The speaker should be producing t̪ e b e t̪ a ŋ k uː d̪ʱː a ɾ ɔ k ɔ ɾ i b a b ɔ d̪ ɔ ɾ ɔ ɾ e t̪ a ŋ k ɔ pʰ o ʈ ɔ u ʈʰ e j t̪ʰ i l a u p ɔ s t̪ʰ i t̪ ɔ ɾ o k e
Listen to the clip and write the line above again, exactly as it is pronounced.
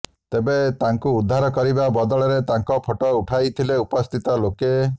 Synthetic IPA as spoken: t̪ e b e t̪ a ŋ k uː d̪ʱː a ɾ ɔ k ɔ ɾ i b a b ɔ d̪ ɔ ɭ ɔ ɾ e t̪ a ŋ k ɔ pʰ o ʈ ɔ u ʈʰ a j t̪ʰ i l e u p ɔ s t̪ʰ i t̪ ɔ l o k e

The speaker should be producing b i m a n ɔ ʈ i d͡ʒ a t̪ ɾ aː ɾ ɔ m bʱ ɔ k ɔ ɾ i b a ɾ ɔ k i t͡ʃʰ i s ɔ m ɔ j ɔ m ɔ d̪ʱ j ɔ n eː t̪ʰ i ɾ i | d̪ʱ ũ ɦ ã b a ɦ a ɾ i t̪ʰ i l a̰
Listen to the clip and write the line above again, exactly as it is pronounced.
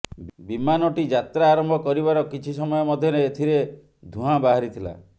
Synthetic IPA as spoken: b i m a n ɔ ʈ i d͡ʒ a t̪ ɾ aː ɾ ɔ m bʱ ɔ k ɔ ɾ i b a ɾ ɔ k i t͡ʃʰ i s ɔ m ɔ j ɔ m ɔ d̪ʱ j ɔ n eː t̪ʰ i ɾ e | d̪ʱ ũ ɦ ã b a ɦ a ɾ i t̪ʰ i l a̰

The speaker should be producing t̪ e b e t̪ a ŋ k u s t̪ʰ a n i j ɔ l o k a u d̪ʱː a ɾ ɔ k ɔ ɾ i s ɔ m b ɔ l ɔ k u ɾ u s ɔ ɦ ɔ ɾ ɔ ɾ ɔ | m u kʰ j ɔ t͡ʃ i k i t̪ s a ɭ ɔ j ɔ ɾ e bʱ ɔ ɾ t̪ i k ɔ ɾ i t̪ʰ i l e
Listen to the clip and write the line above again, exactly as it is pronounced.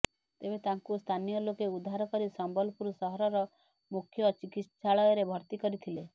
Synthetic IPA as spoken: t̪ e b e t̪ a ŋ k u s t̪ʰ a n i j ɔ l o k e u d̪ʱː a ɾ ɔ k ɔ ɾ i s ɔ m b ɔ l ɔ p u ɾ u s ɔ ɦ ɔ ɾ ɔ ɾ ɔ | m u kʰ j ɔ t͡ʃ i k i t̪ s a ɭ ɔ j ɔ ɾ e bʱ ɔ ɾ t̪ i k ɔ ɾ i t̪ʰ i l e

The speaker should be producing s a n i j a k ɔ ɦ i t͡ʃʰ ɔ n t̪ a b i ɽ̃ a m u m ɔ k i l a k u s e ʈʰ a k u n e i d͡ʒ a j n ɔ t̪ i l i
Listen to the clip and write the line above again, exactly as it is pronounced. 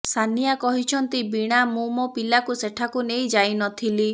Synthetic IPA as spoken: s a n i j a k ɔ ɦ i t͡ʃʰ ɔ n t̪ i b i ɽ̃ a m u m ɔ p i l a k u s e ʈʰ a k u n e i d͡ʒ a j n ɔ t̪ʰ i l i

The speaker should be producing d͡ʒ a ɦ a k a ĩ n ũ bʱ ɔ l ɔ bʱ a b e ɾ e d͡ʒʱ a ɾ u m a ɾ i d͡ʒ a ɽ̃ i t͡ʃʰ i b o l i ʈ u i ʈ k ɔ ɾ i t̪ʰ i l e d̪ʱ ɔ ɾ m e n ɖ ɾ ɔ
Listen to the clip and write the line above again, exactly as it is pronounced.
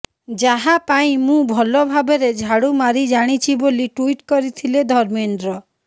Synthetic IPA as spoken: d͡ʒ a ɦ a p a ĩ m ũ bʱ ɔ l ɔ bʱ a b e ɾ e d͡ʒʱ a ɽ u m a ɾ i d͡ʒ a ɽ̃ i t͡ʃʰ i b o l i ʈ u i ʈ k ɔ ɾ i t̪ʰ i l e d̪ʱ ɔ ɾ m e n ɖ ɾ ɔ

